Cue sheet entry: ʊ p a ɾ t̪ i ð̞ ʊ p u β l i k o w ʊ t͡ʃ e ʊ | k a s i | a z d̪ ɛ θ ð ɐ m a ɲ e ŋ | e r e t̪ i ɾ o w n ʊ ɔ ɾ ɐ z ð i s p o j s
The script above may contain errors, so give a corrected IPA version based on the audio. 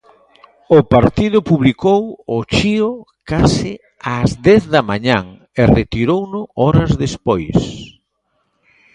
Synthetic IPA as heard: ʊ p a ɾ t̪ i ð̞ ʊ p u β l i k o w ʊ t͡ʃ i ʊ | k a s ɪ | a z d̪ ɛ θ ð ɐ m a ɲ a ŋ | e r e t̪ i ɾ o w n ʊ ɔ ɾ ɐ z ð e s p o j s